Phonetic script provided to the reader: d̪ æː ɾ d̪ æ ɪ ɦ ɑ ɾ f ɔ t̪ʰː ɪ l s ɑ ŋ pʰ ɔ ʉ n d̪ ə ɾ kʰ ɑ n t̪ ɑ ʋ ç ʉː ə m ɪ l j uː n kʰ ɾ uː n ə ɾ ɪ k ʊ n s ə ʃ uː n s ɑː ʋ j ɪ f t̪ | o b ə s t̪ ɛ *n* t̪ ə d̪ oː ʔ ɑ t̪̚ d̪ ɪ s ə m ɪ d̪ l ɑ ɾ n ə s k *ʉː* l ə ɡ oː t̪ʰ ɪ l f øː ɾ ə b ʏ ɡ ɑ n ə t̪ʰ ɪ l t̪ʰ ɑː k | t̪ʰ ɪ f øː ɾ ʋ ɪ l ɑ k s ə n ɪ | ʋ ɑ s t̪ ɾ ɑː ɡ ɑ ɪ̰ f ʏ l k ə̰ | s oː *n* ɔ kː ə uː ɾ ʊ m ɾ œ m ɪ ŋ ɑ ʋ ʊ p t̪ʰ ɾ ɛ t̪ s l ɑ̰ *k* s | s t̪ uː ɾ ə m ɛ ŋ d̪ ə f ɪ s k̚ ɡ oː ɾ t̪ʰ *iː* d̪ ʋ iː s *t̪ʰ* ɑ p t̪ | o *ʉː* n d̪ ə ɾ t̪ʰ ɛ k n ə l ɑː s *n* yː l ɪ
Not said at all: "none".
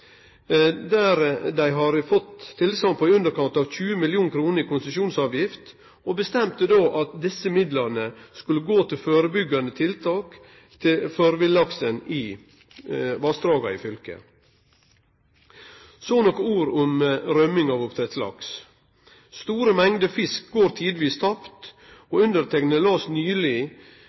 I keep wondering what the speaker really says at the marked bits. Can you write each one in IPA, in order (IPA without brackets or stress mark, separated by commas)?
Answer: m, ʉ, n, k, iː, t̪ʰ, ʉ, n